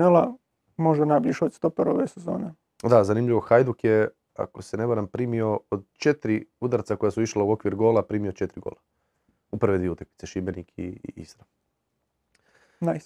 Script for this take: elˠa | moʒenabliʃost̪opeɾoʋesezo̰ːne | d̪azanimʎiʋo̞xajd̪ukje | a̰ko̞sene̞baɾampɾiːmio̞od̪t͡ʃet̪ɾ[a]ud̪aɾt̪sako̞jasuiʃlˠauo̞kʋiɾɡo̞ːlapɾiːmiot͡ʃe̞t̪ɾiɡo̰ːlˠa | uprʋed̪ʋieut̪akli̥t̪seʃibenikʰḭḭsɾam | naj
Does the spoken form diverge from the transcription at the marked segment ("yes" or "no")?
yes